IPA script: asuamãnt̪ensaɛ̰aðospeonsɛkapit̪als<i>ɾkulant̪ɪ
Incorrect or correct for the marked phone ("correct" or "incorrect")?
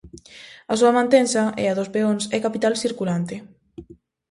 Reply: correct